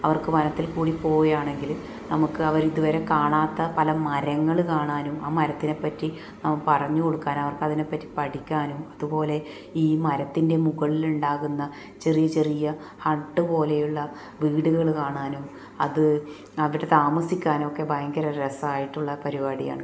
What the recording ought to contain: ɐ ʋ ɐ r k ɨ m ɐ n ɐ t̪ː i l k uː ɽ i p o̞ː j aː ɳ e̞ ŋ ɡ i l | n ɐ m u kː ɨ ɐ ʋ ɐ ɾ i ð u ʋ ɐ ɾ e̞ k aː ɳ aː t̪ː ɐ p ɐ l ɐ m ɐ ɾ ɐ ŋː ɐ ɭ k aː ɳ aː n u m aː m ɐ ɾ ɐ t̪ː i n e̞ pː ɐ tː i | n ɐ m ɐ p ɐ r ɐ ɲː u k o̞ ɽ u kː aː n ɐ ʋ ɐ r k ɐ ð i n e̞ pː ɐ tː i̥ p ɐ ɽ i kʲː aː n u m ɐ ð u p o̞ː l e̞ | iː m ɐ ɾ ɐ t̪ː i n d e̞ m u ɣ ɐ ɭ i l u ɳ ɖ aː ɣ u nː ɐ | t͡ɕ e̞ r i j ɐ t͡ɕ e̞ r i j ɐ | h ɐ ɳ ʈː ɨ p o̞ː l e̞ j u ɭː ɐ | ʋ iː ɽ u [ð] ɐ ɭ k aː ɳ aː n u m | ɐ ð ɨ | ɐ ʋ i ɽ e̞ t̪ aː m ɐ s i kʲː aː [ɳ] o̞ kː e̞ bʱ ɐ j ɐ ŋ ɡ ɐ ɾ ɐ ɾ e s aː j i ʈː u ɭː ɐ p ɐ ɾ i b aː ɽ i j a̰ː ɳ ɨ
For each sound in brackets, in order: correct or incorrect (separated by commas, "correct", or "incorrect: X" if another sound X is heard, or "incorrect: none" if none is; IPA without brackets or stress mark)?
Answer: incorrect: ɣ, incorrect: n